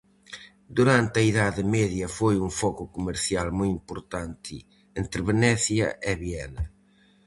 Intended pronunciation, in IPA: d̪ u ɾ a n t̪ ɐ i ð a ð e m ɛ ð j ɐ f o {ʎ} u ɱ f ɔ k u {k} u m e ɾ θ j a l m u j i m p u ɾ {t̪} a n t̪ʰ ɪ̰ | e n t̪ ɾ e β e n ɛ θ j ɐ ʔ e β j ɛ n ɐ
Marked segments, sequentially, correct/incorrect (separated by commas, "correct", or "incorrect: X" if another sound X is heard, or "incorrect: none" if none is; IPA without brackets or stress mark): incorrect: j, correct, correct